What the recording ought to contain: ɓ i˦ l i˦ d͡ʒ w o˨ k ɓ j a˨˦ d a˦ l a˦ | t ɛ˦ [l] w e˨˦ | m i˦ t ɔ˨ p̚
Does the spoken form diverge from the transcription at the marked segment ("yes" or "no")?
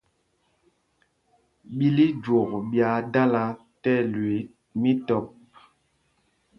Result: no